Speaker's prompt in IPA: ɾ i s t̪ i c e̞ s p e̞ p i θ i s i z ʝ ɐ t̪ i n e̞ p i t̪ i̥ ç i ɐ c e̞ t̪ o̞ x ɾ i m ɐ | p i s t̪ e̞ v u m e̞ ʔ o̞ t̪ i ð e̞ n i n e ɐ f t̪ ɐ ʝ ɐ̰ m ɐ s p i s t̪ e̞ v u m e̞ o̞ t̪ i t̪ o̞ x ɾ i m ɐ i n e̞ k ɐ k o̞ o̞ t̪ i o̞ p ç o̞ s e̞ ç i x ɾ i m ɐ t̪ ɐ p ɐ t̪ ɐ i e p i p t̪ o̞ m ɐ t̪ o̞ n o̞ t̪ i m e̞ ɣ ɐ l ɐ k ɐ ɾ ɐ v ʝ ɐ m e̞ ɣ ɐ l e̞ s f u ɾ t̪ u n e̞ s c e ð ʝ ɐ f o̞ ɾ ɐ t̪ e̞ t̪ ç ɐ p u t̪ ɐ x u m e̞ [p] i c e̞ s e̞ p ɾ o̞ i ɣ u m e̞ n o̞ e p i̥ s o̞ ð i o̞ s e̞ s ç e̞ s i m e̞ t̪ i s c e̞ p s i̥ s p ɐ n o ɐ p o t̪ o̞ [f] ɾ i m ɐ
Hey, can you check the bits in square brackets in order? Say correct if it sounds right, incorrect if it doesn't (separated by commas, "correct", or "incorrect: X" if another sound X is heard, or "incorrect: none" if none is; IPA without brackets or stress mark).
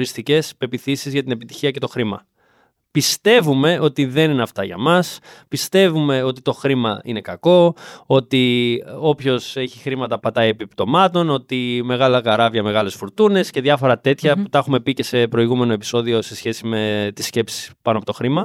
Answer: correct, incorrect: x